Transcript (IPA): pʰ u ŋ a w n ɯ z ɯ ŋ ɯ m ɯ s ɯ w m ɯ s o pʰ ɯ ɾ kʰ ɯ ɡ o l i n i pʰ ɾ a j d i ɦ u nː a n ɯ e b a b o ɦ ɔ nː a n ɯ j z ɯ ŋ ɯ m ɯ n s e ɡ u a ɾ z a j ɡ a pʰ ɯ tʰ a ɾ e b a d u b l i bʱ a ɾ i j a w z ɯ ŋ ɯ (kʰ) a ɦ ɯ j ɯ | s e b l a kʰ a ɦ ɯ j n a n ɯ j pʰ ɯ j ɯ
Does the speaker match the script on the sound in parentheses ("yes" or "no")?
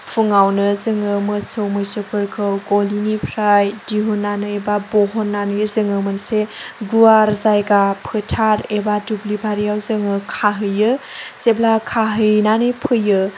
yes